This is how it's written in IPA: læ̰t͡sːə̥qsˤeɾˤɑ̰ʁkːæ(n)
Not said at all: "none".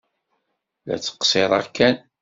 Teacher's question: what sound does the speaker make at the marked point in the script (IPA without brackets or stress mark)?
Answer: n